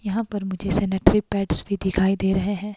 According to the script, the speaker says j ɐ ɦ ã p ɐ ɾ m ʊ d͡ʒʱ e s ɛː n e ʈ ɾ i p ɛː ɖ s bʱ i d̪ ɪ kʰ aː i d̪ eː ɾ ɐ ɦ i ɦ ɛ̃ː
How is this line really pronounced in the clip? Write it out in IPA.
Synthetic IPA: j ɐ ɦ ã p ɐ ɾ m ʊ d͡ʒʱ e s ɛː n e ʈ ɾ i p ɛː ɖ s bʱ i d̪ ɪ kʰ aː i d̪ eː ɾ ɐ ɦ e ɦ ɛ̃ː